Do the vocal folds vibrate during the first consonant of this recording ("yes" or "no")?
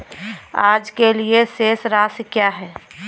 yes